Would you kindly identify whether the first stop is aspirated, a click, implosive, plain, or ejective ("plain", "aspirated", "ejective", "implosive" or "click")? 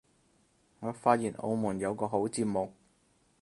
plain